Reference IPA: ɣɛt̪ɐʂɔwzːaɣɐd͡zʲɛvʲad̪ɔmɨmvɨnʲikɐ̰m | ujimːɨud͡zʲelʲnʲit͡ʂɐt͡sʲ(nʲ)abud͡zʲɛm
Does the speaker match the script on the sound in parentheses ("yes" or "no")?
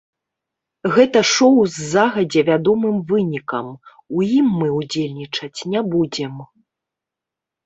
yes